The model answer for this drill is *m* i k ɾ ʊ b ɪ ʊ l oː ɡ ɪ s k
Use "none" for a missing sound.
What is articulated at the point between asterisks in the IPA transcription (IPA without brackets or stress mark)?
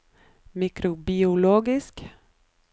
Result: m